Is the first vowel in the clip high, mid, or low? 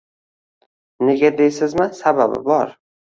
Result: mid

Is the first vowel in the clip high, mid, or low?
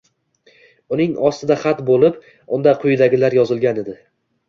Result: high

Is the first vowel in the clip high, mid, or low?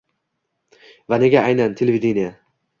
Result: low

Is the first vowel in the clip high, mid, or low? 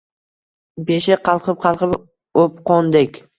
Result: mid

